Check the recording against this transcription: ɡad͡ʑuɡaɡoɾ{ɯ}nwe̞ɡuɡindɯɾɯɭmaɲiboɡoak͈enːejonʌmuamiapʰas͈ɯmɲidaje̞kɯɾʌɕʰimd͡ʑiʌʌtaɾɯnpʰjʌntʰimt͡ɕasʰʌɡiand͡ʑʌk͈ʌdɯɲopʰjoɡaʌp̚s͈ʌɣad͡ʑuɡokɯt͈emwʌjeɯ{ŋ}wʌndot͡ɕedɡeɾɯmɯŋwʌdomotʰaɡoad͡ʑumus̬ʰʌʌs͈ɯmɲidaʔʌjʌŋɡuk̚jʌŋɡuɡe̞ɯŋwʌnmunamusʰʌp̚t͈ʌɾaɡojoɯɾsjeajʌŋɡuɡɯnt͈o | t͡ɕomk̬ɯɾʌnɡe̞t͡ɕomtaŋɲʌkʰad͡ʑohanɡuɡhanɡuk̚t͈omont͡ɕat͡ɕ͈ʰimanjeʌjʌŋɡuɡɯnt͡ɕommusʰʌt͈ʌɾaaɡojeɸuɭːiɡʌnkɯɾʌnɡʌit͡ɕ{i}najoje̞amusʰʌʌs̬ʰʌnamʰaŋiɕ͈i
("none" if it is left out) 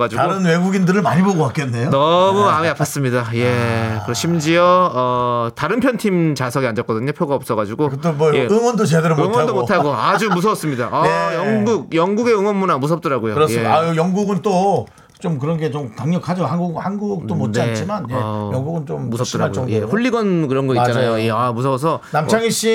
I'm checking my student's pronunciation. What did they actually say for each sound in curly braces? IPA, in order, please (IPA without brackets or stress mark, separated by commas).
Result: ɯ, ŋ, a